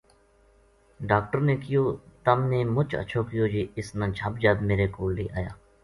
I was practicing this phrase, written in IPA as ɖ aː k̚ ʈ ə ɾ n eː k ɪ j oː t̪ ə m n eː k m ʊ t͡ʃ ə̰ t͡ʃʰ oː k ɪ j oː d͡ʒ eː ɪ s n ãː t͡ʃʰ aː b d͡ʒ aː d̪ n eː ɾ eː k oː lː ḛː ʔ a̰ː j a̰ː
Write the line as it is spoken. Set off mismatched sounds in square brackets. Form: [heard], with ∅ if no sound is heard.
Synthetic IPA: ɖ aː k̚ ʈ ə ɾ n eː k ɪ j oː t̪ ə m n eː [∅] m ʊ t͡ʃ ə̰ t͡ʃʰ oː k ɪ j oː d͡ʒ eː ɪ s n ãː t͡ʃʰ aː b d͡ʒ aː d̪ [m] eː ɾ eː k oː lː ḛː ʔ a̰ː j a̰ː

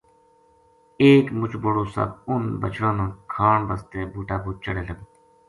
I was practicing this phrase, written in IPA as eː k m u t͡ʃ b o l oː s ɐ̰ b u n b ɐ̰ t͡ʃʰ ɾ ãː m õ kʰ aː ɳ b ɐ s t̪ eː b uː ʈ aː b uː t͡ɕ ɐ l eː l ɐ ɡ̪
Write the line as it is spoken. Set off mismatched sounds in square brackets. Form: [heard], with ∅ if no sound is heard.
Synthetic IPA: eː k m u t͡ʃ b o [ɽ] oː s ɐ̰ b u n b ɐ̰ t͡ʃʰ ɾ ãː [n] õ kʰ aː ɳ b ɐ s t̪ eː b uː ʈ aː b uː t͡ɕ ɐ [ɽ] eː l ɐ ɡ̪

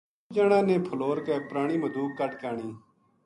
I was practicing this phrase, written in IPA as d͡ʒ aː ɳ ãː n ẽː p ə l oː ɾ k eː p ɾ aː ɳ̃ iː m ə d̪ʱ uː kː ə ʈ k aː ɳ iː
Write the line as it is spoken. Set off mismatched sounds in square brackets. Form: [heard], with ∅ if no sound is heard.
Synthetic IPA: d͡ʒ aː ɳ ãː n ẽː [pʰ] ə l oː ɾ k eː p ɾ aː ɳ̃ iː m ə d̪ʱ uː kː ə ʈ k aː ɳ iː

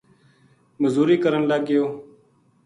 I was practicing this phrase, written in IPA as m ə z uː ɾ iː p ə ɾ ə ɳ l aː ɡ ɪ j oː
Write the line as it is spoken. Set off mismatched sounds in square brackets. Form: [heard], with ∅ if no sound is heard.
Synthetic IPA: m ə z uː ɾ iː [k] ə ɾ ə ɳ l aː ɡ ɪ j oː

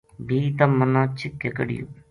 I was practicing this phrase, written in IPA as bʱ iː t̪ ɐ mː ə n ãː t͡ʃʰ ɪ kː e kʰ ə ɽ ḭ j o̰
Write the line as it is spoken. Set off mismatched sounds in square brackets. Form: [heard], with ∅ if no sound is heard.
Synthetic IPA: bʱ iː t̪ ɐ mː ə n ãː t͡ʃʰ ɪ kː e [k] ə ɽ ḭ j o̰

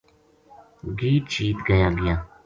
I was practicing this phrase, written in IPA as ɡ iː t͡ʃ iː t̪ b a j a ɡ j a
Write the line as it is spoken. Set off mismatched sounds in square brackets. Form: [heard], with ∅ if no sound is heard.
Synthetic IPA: ɡ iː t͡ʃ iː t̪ [ɡ] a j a ɡ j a

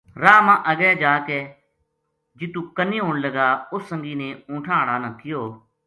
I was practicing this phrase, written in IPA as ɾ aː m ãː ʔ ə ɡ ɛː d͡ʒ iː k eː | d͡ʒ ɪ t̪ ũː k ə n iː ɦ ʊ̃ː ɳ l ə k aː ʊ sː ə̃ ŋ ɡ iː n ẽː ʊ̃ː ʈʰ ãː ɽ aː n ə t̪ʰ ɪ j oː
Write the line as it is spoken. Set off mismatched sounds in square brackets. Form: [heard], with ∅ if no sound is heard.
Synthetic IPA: ɾ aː m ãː ʔ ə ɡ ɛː d͡ʒ [aː] k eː | d͡ʒ ɪ t̪ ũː k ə n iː ɦ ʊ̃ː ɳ l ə [ɡ] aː ʊ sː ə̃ ŋ ɡ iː n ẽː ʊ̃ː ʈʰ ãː ɽ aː n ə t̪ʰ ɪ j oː

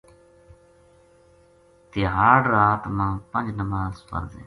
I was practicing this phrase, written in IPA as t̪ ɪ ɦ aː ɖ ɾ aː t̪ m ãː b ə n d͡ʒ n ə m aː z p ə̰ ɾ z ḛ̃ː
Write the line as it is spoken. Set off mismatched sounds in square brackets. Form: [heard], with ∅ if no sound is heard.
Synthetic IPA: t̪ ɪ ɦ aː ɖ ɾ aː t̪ m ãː [p] ə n d͡ʒ n ə m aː z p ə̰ ɾ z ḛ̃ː

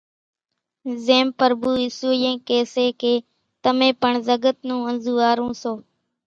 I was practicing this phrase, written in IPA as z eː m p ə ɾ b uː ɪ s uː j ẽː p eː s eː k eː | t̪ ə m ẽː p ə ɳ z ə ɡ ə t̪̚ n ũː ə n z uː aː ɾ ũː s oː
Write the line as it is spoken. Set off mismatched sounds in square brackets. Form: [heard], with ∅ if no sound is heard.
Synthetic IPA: z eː m p ə ɾ b uː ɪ s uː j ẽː [k] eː s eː k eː | t̪ ə m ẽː p ə ɳ z ə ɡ ə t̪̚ n ũː ə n z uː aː ɾ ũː s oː

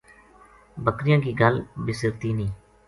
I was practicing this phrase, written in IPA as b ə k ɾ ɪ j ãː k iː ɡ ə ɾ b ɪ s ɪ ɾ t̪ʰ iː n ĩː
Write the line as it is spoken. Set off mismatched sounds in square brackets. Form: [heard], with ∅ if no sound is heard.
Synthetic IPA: b ə k ɾ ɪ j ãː k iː ɡ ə [l] b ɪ s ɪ ɾ [t̪] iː n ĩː

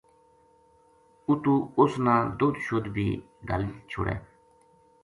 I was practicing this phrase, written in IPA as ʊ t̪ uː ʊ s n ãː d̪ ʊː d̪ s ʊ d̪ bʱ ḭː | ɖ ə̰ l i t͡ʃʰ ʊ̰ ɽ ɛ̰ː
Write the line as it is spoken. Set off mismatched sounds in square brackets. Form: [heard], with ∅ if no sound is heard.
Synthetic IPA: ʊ t̪ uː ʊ s n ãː d̪ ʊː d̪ [ʃ] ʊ d̪ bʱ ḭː | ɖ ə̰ l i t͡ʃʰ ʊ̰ ɽ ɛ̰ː

